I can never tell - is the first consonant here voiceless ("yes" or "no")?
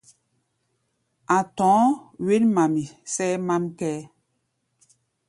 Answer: yes